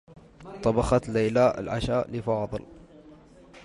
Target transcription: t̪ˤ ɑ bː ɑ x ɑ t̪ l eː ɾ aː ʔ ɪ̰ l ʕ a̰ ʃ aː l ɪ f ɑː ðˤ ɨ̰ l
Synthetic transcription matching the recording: t̪ˤ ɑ b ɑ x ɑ t̪ l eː l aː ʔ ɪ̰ l ʕ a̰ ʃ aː l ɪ f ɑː ðˤ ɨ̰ l